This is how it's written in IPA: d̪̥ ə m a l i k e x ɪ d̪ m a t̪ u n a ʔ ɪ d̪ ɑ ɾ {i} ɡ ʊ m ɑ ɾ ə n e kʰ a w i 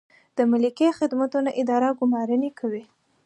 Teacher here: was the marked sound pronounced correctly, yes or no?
no